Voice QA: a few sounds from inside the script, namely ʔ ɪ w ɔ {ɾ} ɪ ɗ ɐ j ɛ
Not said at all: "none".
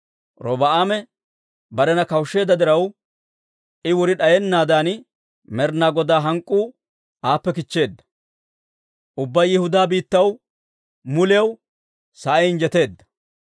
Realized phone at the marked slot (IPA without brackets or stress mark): ɾ